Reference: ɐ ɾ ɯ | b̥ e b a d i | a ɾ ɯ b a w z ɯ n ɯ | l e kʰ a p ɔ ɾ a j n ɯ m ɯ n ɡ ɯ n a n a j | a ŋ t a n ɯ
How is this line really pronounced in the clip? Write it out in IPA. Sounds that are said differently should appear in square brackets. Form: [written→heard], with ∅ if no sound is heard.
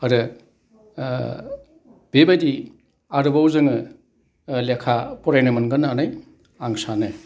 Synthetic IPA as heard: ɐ ɾ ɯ | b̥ e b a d i | a ɾ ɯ b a w z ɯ [n→ŋ] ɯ | l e kʰ a p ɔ ɾ a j n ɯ m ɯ n ɡ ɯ n a n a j | a ŋ [t→s] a n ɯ